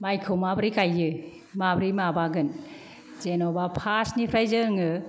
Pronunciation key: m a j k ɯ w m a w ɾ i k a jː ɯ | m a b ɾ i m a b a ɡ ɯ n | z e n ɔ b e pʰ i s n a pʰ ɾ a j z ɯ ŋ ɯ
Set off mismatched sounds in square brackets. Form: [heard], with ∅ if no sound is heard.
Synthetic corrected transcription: m a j [kʰ] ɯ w m a [b] ɾ i k a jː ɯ | m a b ɾ i m a b a ɡ ɯ n | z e n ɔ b [a] pʰ [a] s n [i] pʰ ɾ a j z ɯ ŋ ɯ